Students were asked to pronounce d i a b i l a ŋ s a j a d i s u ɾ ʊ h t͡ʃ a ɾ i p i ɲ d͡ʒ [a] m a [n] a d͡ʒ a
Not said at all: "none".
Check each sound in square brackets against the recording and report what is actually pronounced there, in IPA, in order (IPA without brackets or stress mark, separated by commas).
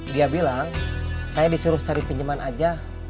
ə, n